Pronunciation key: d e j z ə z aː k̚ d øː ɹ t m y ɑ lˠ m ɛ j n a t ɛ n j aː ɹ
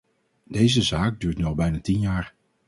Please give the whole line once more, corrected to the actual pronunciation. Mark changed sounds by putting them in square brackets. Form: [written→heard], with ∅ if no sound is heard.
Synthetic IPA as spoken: d e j z ə z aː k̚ d [øː→yː] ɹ t [m→n] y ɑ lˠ [m→b] ɛ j n a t [ɛ→i] n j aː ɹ